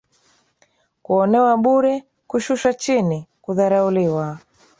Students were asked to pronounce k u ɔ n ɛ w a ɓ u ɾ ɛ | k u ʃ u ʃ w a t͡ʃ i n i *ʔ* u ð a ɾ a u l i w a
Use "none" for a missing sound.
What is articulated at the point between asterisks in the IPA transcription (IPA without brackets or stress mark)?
k